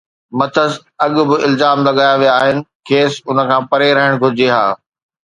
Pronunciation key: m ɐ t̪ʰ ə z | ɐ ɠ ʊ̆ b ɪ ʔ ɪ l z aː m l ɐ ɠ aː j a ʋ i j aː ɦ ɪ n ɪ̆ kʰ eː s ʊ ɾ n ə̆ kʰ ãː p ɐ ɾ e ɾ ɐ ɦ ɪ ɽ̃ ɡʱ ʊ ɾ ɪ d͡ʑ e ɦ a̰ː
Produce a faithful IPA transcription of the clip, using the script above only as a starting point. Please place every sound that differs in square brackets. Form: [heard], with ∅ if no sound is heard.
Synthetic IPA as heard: m ɐ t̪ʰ ə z | ɐ ɠ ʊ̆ b ɪ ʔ ɪ l z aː m l ɐ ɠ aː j a ʋ i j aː ɦ ɪ n ɪ̆ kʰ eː s ʊ [∅] n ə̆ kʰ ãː p ɐ ɾ e ɾ ɐ ɦ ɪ ɽ̃ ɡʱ ʊ ɾ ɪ d͡ʑ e ɦ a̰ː